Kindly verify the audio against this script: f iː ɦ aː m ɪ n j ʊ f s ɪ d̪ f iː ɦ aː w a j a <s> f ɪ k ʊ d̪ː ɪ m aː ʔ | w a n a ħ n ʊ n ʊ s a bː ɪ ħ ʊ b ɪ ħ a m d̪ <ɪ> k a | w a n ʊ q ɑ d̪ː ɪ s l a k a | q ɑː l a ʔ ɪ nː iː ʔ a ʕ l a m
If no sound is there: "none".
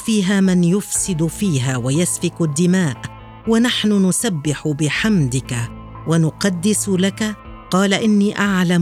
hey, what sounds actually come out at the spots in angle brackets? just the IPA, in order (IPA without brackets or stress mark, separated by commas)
s, ɪ